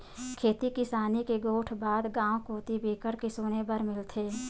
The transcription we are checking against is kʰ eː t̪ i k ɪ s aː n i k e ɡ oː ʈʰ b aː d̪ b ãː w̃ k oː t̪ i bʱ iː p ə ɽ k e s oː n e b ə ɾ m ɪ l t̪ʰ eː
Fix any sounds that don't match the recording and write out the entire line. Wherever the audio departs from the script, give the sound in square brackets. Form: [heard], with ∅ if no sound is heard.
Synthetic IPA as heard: kʰ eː t̪ i k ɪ s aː n i k e ɡ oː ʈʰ b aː d̪ [ɡ] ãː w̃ k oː t̪ i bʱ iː [k] ə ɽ k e s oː n e b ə ɾ m ɪ l t̪ʰ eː